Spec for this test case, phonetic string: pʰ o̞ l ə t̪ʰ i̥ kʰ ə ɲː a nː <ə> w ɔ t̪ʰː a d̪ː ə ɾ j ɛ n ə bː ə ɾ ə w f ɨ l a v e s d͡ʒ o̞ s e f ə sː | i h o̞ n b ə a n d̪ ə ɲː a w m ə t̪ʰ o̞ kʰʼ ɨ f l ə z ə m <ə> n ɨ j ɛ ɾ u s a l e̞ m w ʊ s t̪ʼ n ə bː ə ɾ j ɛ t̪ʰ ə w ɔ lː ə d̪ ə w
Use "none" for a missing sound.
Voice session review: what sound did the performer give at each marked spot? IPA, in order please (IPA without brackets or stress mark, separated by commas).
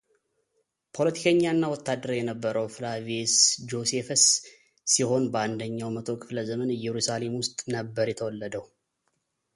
a, ə